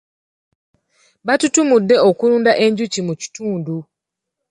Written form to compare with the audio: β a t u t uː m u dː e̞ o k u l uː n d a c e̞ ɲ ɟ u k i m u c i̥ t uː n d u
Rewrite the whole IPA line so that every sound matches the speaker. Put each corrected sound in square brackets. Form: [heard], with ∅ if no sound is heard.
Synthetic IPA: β a t u t [u] m u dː e̞ o k u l uː n d a [ʔ] e̞ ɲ ɟ u [c] i m u c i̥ t uː n d u